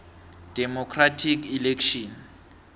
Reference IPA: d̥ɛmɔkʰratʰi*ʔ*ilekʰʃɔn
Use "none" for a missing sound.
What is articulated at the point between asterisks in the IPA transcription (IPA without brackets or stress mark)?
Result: k